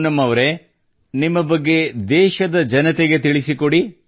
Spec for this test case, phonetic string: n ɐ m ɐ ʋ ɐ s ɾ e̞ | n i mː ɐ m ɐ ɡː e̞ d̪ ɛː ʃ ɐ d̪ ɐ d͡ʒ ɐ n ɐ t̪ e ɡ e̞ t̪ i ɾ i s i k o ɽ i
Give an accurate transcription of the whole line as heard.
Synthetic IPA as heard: n ɐ m ɐ ʋ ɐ ɾ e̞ | n i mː ɐ b ɐ ɡː e̞ d̪ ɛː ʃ ɐ d̪ ɐ d͡ʒ ɐ n ɐ t̪ e ɡ e̞ t̪ i ɭ i s i k o ɽ i